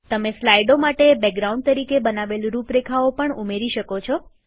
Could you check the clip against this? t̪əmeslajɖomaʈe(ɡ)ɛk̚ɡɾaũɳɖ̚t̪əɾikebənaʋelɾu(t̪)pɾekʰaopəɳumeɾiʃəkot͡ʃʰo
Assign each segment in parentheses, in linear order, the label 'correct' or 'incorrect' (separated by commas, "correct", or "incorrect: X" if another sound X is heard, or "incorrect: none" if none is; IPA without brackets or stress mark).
incorrect: b, incorrect: none